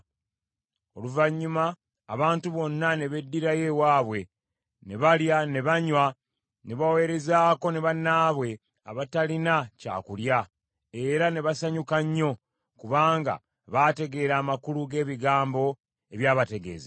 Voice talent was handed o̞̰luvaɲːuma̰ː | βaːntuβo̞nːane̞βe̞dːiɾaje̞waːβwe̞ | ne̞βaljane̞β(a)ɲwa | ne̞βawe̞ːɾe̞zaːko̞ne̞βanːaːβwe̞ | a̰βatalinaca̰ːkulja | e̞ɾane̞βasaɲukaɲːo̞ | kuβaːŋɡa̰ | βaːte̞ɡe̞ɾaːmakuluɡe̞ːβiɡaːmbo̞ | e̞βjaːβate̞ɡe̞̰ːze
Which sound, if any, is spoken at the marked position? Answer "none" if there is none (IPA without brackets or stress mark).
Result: a